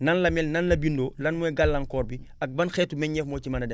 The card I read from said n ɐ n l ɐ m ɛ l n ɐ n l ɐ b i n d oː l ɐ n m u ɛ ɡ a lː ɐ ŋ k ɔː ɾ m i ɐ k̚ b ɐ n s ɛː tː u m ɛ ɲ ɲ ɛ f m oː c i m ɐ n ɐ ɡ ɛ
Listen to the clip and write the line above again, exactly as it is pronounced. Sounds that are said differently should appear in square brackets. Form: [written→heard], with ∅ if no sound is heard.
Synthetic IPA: n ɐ n l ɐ m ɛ l n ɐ n l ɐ b i n d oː l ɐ n m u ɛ ɡ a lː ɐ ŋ k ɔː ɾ [m→b] i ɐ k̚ b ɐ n [s→x] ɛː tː u m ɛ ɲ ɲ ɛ f m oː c i m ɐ n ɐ [ɡ→d] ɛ